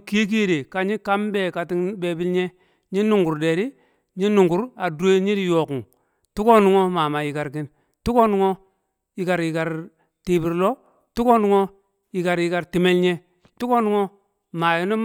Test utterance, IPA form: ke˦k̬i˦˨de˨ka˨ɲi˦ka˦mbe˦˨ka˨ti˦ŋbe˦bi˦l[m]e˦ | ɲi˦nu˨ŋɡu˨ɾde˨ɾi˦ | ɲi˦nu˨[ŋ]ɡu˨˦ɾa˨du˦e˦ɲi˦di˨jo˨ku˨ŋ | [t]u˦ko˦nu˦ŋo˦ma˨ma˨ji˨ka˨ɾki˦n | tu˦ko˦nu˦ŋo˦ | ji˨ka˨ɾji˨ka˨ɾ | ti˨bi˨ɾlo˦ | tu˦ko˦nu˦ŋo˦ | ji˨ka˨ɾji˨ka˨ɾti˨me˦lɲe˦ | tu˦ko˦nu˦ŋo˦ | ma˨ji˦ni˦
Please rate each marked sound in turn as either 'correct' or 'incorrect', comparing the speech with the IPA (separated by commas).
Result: incorrect, correct, correct